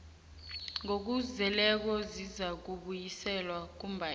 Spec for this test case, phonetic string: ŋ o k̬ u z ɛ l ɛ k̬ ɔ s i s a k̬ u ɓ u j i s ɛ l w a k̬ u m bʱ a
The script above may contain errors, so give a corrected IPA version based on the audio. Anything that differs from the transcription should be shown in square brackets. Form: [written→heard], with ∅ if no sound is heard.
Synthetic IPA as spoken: ŋ o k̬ u z ɛ l ɛ k̬ ɔ [s→z] i [s→z] a k̬ u ɓ u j i s ɛ l w a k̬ u m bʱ a

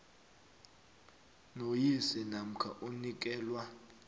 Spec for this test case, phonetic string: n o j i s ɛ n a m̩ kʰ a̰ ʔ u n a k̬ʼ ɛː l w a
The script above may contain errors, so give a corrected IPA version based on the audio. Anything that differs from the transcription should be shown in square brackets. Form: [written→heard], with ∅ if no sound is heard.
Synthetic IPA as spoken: n o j i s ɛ n a m̩ kʰ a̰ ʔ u n [a→i] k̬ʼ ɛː l w a

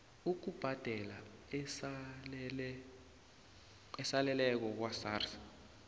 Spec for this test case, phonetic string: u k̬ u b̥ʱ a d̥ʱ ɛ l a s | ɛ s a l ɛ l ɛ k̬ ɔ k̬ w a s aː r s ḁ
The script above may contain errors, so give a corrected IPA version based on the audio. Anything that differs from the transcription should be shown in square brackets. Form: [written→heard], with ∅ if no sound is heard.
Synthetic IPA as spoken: u k̬ u b̥ʱ a d̥ʱ ɛ l a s | ɛ s a l ɛ l ɛ k̬ ɔ k̬ w a s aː r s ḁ

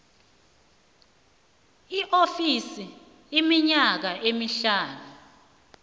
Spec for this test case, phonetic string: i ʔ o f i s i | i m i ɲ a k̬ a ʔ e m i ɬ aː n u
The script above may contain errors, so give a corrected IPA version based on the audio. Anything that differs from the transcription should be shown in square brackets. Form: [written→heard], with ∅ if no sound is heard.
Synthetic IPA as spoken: i ʔ o f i s i | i m i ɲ a k̬ a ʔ e m i ɬ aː n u

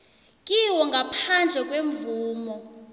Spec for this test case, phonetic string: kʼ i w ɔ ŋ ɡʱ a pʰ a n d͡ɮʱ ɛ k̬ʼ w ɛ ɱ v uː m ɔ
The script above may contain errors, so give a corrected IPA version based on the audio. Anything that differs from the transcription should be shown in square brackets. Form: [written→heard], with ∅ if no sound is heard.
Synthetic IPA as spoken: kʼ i w ɔ ŋ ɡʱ a pʰ a n d͡ɮʱ ɛ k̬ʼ w [ɛ→e] ɱ v uː m ɔ

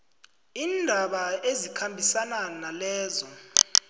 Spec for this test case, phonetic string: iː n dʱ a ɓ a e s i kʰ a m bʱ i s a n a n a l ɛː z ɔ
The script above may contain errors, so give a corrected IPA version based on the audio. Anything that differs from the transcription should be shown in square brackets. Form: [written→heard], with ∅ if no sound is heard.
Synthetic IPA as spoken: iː n dʱ a ɓ a e [s→z] i kʰ a m bʱ i s a n a n a l ɛː z ɔ

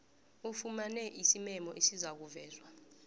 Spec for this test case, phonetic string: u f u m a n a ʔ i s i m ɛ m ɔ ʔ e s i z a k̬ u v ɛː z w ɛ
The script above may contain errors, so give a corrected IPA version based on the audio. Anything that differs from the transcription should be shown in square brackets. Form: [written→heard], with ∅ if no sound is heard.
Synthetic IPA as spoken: u f u m a n [a→ɛ] ʔ i s i m ɛ m ɔ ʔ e s i z a k̬ u v ɛː z w [ɛ→a]

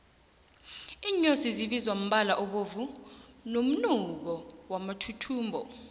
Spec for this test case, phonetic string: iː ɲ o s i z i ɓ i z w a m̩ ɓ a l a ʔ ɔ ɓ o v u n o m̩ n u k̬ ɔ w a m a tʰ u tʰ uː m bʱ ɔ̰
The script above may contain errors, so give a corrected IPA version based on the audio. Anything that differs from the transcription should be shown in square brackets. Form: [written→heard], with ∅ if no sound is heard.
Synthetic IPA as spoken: iː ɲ o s i z i ɓ i z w a m̩ ɓ a l a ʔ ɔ ɓ o v u n o m̩ n u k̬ ɔ w a m a tʰ u tʰ uː m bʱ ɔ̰

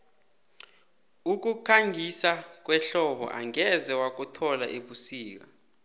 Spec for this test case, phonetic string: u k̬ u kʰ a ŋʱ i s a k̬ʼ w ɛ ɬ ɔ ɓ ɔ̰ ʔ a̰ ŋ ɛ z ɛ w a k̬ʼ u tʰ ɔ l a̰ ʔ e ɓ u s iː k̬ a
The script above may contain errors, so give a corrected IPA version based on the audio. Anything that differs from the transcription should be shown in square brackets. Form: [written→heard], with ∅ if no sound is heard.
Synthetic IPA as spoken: u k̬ u kʰ a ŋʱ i s a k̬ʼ w ɛ ɬ ɔ ɓ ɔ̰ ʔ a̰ ŋ ɛ z ɛ w a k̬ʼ u tʰ ɔ l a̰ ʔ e ɓ u s iː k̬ a

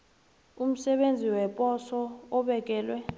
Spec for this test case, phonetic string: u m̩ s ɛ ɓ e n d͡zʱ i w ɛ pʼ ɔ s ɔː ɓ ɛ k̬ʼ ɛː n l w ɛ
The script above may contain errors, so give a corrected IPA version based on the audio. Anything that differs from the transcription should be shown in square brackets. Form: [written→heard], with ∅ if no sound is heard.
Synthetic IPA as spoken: u m̩ s ɛ ɓ e n d͡zʱ i w ɛ pʼ ɔ s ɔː ɓ ɛ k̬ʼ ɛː [n→∅] l w ɛ

